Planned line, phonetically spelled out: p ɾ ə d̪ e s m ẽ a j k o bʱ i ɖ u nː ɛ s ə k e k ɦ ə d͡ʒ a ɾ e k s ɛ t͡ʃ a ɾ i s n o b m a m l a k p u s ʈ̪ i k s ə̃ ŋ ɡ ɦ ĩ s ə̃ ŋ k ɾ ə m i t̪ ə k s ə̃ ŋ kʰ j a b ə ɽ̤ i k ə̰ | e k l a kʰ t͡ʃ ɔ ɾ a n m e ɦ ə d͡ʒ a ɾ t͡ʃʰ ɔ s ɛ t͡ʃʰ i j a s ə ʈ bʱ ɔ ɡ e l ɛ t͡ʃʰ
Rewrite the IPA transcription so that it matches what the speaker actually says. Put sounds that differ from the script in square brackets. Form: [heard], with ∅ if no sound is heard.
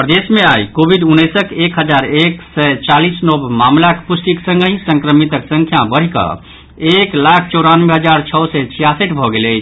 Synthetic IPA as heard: p ɾ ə d̪ e s m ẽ a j k o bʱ i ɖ u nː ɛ s ə k e k ɦ ə d͡ʒ a ɾ e k s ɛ t͡ʃ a [l] i s n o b m a m l a k p u s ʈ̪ i k s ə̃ ŋ ɡ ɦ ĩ s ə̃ ŋ k ɾ ə m i t̪ ə k s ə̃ ŋ kʰ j a b ə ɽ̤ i k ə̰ | e k l a kʰ t͡ʃ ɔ ɾ a n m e ɦ ə d͡ʒ a ɾ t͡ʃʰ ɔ s ɛ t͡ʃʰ i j a s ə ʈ bʱ ɔ ɡ e l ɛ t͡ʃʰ

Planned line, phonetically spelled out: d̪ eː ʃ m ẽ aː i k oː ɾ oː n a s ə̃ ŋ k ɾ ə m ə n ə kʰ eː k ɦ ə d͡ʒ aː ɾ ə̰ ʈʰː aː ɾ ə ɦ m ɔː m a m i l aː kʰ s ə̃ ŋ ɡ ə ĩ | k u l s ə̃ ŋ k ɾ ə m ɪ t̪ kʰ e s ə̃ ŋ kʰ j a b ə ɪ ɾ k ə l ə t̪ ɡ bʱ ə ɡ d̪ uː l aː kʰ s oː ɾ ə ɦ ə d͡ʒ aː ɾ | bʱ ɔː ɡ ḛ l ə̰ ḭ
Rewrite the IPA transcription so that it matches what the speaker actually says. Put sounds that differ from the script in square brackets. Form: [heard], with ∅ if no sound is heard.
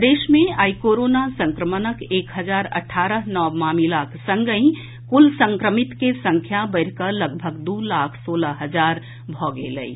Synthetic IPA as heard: d̪ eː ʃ m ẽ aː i k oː ɾ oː n a s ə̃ ŋ k ɾ ə m ə n ə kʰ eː k ɦ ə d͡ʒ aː ɾ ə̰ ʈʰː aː ɾ ə ɦ [n] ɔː m a m i l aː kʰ s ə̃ ŋ ɡ ə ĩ | k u l s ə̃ ŋ k ɾ ə m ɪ t̪ [k] e s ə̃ ŋ kʰ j a b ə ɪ ɾ k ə l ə [∅] ɡ bʱ ə ɡ d̪ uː l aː kʰ s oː [l] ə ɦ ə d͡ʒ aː ɾ | bʱ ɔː ɡ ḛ l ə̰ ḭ

